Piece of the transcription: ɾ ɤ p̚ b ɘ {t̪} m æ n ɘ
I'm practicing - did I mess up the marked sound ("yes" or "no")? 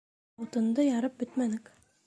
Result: no